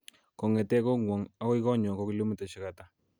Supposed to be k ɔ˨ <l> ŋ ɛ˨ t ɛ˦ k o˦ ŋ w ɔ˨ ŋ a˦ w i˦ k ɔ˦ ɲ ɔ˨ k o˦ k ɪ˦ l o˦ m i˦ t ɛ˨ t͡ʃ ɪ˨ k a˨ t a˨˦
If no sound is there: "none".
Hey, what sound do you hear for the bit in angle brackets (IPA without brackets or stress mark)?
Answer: none